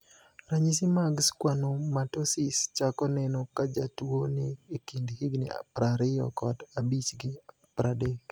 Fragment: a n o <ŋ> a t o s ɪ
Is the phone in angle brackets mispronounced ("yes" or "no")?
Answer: yes